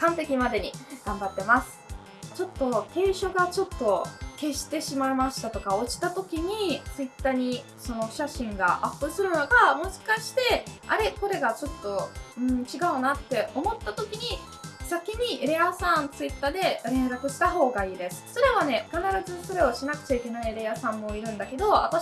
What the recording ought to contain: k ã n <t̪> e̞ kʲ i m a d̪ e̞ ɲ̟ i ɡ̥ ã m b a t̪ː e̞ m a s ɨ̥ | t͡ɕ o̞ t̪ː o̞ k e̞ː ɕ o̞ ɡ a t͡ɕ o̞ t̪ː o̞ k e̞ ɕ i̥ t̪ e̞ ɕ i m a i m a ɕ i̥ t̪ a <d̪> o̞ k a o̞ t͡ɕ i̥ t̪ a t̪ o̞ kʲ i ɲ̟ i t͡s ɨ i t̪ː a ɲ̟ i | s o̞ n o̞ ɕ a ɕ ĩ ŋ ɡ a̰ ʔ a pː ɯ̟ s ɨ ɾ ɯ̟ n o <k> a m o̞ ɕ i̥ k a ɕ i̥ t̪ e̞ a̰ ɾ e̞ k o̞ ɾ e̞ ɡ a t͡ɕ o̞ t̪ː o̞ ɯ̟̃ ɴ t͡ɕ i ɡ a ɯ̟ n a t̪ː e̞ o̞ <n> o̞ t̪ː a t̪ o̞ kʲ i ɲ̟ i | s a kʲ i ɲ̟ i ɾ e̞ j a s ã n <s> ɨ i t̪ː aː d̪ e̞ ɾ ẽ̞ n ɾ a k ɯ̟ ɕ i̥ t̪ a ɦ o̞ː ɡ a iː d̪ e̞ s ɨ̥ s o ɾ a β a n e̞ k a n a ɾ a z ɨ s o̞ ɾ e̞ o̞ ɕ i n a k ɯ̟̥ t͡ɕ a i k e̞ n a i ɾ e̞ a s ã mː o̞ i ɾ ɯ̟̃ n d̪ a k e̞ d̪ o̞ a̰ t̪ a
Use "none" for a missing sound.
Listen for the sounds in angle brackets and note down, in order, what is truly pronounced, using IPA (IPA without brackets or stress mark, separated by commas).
t̪, t̪, ɡ, m, t͡s